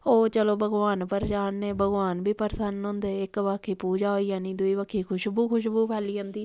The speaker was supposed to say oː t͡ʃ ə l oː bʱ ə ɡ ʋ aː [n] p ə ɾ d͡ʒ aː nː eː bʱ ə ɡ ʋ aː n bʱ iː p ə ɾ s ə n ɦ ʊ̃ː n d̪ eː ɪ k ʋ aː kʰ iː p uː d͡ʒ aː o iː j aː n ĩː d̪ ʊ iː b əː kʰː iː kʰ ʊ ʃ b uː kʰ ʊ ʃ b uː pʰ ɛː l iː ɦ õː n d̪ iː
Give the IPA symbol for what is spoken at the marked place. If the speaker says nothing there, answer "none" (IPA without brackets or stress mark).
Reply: n